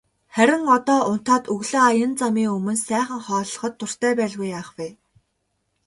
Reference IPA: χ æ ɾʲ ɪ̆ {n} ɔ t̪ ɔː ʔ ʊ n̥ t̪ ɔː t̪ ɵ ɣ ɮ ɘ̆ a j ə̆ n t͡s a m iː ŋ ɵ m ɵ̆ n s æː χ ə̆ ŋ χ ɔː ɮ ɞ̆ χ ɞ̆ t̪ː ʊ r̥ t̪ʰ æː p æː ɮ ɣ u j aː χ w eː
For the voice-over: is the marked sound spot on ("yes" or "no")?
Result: no